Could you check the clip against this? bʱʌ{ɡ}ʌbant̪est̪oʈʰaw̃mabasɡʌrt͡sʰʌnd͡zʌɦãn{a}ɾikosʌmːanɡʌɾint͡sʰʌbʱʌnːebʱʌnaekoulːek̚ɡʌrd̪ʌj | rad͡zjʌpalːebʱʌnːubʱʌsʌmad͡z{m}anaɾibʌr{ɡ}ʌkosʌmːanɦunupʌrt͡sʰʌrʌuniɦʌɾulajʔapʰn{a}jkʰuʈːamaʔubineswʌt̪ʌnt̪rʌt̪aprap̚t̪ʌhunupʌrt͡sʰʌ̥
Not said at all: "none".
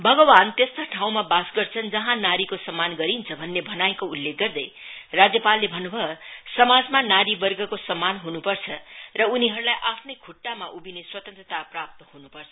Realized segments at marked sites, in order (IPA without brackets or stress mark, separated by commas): ɡ, a, m, ɡ, ʌ